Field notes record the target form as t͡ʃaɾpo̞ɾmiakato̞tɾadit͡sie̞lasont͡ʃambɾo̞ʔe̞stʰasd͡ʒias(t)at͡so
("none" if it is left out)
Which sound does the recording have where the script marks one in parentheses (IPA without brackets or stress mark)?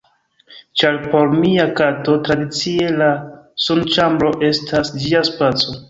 p